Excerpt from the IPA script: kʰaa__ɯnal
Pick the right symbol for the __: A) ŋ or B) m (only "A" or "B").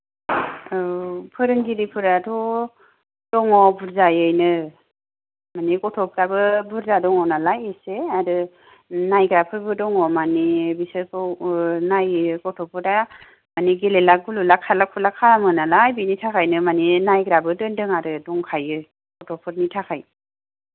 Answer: B